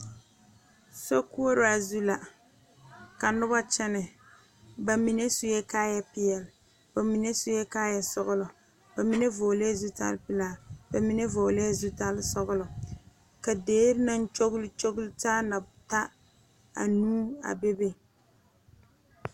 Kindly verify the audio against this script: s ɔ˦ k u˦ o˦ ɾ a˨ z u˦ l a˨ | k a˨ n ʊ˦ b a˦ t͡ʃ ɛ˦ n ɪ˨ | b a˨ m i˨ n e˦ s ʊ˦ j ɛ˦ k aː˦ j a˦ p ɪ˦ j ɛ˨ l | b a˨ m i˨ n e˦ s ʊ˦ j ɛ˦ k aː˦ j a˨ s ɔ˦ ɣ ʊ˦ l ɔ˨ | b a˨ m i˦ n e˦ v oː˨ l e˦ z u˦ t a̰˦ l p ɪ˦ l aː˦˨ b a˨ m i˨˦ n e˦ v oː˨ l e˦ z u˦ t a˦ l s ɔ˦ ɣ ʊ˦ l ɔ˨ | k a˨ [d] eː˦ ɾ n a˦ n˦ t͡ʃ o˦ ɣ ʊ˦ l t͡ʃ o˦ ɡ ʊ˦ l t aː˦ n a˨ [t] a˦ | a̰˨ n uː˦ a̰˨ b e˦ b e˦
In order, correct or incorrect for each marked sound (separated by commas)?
correct, correct